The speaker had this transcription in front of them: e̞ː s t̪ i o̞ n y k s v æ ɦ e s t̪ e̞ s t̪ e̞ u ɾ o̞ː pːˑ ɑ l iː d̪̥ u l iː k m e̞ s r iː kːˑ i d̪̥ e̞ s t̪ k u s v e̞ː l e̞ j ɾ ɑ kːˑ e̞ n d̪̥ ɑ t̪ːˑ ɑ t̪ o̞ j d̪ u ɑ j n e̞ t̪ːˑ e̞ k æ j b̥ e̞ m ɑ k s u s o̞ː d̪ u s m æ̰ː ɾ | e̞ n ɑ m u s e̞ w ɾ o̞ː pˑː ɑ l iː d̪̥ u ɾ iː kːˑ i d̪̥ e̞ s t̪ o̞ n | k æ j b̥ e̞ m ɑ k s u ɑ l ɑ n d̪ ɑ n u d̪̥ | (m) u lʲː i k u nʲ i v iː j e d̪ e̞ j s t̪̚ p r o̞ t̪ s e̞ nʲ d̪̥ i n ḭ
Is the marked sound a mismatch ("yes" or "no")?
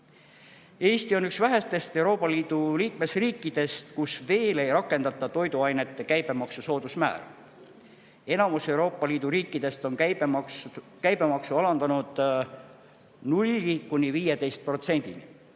yes